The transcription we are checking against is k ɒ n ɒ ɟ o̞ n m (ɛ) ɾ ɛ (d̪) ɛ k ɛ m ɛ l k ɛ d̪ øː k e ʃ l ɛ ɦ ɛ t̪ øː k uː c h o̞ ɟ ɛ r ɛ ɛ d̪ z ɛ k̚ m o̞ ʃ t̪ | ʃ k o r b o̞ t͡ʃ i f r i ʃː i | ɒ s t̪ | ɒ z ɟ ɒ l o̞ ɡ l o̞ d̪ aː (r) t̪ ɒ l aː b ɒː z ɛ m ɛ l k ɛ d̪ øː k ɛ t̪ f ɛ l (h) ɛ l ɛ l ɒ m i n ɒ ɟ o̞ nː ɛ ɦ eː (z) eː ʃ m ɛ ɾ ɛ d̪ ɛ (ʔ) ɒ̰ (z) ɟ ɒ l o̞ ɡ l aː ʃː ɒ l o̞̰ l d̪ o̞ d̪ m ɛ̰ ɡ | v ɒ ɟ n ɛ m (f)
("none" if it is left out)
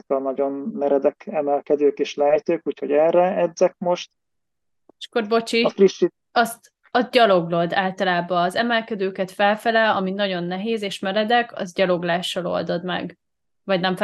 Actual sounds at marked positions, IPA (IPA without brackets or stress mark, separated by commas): ɛ, d̪, l, f, z, k, z, f